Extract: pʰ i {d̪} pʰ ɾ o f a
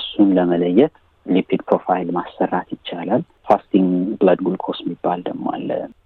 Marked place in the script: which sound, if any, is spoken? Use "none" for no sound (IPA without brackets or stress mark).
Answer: d̪